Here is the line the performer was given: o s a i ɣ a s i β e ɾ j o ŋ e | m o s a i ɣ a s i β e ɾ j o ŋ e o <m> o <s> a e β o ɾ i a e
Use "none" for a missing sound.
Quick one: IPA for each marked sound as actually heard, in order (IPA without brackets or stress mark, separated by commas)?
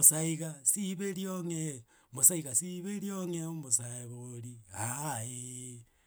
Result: m, s